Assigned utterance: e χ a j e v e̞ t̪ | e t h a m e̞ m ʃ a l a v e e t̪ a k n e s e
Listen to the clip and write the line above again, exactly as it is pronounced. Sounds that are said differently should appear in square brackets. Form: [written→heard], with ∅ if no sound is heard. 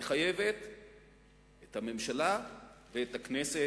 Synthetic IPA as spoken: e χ a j e v e̞ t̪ | e t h a m e̞ m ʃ a l a v e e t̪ a k n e s e